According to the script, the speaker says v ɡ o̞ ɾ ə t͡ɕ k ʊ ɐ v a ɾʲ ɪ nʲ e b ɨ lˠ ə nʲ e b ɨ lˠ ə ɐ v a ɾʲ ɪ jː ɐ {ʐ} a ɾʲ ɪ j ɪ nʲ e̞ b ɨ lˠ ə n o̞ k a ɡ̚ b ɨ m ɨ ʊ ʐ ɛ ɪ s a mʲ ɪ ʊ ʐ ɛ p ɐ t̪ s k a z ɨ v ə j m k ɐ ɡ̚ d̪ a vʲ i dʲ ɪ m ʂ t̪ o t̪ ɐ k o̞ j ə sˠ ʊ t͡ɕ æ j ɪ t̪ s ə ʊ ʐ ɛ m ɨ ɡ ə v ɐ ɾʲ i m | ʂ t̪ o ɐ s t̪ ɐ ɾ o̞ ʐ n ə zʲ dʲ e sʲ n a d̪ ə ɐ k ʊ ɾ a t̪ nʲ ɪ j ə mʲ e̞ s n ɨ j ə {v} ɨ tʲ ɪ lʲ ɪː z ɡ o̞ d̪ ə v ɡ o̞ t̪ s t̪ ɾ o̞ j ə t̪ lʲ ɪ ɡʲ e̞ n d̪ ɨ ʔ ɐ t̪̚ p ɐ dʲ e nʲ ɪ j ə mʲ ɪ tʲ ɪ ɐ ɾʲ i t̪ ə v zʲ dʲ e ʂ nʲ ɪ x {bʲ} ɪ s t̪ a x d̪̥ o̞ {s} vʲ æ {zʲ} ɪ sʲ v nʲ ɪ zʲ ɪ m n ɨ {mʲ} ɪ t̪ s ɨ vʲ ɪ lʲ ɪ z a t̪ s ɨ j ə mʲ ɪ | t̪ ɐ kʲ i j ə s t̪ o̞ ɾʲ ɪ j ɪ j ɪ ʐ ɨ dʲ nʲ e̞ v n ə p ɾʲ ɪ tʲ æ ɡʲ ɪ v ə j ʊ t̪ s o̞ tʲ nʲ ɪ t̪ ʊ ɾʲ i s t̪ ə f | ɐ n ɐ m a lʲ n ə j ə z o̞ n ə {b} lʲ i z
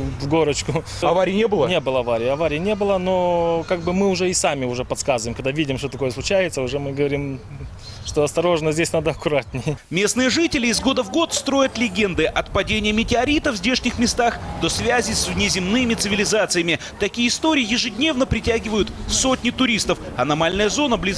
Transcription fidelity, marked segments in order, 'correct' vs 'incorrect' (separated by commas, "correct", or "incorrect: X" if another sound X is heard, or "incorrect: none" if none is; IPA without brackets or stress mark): incorrect: v, incorrect: ʐ, incorrect: mʲ, correct, correct, correct, correct